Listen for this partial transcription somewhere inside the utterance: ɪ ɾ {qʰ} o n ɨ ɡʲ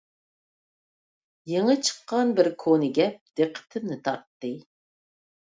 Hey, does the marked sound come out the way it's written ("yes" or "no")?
no